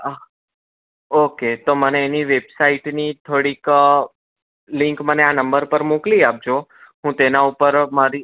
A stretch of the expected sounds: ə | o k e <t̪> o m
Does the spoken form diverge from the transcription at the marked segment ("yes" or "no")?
no